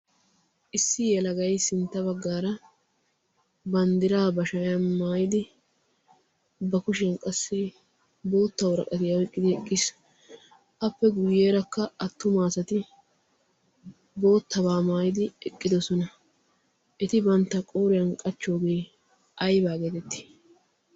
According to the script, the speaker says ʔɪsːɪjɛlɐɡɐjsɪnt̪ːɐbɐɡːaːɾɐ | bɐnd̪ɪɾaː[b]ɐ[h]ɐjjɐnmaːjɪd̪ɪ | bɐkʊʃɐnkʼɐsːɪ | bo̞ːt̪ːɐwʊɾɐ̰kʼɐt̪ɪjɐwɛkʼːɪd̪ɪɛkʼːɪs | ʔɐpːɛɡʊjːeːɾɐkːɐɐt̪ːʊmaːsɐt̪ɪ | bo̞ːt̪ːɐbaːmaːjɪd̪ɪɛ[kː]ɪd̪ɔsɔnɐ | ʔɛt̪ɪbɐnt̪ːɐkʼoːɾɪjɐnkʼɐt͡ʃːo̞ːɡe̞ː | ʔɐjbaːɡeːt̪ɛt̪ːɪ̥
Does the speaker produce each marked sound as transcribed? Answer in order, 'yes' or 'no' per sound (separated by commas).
yes, no, no